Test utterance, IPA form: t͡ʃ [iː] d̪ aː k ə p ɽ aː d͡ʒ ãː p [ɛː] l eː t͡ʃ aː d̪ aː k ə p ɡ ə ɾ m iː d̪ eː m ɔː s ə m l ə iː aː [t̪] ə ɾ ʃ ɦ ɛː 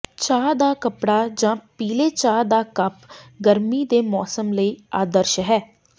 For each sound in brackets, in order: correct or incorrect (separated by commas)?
incorrect, incorrect, incorrect